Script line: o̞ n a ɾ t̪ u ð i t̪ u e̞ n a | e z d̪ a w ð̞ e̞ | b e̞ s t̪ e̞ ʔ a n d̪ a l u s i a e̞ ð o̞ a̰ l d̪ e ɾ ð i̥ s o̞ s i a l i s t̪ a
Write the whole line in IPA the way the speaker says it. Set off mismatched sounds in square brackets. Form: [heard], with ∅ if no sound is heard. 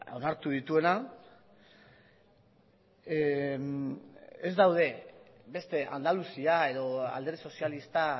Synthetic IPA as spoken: o̞ n a ɾ t̪ u ð i t̪ u e̞ n a | e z d̪ a w ð̞ e̞ | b e̞ s t̪ e̞ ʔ a n d̪ a l u s i a e̞ ð o̞ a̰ l d̪ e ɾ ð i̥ s o̞ s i a l i s t̪ a

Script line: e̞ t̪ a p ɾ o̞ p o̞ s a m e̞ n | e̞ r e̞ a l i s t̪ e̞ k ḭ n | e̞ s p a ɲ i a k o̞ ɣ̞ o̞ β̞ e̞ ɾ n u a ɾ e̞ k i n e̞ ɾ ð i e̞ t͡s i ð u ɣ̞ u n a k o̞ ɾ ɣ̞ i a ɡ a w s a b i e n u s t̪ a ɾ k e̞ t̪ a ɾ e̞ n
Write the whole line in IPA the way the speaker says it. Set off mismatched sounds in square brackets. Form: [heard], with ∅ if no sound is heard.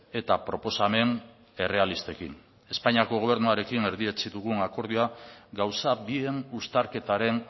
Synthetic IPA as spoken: e̞ t̪ a p ɾ o̞ p o̞ s a m e̞ n | e̞ r e̞ a l i s t̪ e̞ k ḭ n | e̞ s p a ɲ i a k o̞ ɣ̞ o̞ β̞ e̞ ɾ n u a ɾ e̞ k i n e̞ ɾ ð i e̞ t͡s i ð u ɣ̞ u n a k o̞ ɾ [ð̞] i a ɡ a w s a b i e n u s t̪ a ɾ k e̞ t̪ a ɾ e̞ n

